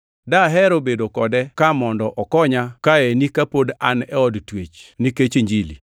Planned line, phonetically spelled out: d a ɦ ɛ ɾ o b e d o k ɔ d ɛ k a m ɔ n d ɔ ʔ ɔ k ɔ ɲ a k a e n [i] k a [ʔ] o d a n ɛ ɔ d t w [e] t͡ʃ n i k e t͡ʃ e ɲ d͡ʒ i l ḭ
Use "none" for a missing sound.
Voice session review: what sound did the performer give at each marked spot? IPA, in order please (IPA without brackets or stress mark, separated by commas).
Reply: i, p, e